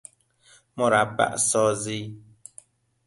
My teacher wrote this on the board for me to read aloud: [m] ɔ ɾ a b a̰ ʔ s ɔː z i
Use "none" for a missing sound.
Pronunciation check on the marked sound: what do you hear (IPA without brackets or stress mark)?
m